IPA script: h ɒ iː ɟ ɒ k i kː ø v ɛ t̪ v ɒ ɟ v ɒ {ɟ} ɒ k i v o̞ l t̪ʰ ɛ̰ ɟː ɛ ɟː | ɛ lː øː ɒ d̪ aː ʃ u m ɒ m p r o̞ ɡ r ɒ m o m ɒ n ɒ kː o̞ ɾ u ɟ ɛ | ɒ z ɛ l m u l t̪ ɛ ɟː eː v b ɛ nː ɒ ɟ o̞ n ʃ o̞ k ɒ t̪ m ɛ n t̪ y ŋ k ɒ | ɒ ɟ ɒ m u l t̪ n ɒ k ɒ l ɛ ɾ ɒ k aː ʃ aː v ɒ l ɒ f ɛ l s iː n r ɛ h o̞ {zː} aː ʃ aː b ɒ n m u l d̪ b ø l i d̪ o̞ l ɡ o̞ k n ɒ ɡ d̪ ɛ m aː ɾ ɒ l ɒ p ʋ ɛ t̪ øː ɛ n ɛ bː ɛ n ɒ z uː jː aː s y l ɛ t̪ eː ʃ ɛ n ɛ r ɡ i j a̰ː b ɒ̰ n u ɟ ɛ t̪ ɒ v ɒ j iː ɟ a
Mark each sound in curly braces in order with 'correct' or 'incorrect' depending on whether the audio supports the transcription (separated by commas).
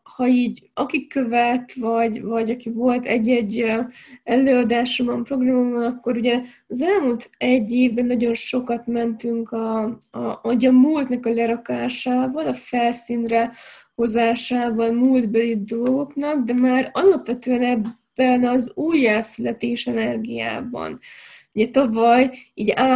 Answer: correct, incorrect